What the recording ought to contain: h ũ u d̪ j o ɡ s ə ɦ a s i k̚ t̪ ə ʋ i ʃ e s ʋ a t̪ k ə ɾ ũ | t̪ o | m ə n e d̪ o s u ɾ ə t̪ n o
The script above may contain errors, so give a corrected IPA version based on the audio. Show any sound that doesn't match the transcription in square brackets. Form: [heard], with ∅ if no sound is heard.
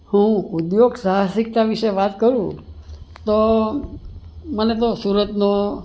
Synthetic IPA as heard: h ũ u d̪ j o ɡ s [a] ɦ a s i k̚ t̪ [a] ʋ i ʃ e [∅] ʋ a t̪ k ə ɾ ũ | t̪ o | m ə n e [t̪] o s u ɾ ə t̪ n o